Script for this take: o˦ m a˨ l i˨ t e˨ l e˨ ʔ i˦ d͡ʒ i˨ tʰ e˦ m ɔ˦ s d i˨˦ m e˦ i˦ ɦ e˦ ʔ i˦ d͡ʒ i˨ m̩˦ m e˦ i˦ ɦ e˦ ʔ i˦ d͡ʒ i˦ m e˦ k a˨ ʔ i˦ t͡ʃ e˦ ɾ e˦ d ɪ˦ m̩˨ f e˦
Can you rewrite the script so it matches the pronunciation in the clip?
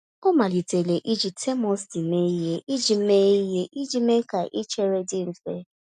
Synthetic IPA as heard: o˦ m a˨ l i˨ t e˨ l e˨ ʔ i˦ d͡ʒ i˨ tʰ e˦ m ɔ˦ s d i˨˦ m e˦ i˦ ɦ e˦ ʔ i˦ d͡ʒ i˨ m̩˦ m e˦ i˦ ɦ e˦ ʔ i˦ d͡ʒ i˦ m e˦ k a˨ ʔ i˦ t͡ʃ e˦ ɾ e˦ d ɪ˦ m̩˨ f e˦